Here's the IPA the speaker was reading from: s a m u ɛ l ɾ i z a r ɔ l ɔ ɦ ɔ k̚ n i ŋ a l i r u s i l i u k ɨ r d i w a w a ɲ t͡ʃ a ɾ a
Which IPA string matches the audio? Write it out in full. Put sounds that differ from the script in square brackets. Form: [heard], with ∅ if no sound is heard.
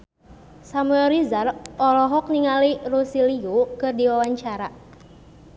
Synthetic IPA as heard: s a m u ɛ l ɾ i z a r ɔ l ɔ ɦ ɔ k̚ n i ŋ a l i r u s i l i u k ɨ r d i w a w a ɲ t͡ʃ a ɾ a

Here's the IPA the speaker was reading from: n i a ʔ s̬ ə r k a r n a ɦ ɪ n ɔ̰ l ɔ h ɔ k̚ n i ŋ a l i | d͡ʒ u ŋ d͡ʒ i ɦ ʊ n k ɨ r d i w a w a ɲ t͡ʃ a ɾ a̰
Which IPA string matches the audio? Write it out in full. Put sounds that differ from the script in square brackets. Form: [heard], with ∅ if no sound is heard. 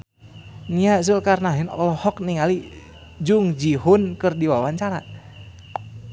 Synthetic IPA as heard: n i a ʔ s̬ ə [l] k a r n a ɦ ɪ n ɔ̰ l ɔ h ɔ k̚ n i ŋ a l i | d͡ʒ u ŋ d͡ʒ i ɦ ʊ n k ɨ r d i w a w a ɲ t͡ʃ a ɾ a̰

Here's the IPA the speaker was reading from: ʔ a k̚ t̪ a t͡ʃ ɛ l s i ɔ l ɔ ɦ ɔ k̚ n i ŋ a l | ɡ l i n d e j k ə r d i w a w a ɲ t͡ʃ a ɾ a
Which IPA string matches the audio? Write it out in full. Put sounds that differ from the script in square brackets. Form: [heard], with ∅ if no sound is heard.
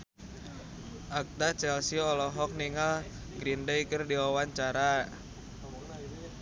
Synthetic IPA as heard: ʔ a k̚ t̪ a t͡ʃ ɛ l s i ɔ l ɔ ɦ ɔ k̚ n i ŋ a l | ɡ [ɾ] i n d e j k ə r d i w a w a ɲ t͡ʃ a ɾ a

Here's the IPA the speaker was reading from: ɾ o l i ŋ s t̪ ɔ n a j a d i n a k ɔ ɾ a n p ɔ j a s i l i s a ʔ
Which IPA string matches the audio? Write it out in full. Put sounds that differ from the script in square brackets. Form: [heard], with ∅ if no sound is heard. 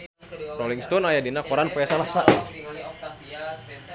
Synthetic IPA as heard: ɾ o l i ŋ s t̪ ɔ n a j a d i n a k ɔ ɾ a n p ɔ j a s [a] l [a] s a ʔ

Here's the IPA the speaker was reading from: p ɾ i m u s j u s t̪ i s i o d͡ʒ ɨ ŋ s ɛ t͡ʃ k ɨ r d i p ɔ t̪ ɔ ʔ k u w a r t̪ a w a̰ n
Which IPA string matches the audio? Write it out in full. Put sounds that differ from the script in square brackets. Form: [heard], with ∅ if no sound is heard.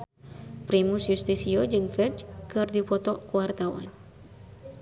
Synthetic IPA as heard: p ɾ i m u s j u s t̪ i s i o d͡ʒ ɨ ŋ [f] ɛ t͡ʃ k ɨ r d i p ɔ t̪ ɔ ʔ k u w a r t̪ a w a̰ n

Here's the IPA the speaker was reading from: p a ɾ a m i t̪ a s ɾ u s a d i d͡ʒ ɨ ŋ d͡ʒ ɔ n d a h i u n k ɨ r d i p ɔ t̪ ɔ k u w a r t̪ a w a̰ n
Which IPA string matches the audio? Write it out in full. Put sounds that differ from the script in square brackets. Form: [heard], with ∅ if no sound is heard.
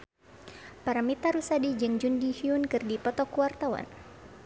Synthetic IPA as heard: p a ɾ a m i t̪ a [∅] ɾ u s a d i d͡ʒ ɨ ŋ d͡ʒ [u] n d [i] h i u n k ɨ r d i p ɔ t̪ ɔ k u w a r t̪ a w a̰ n

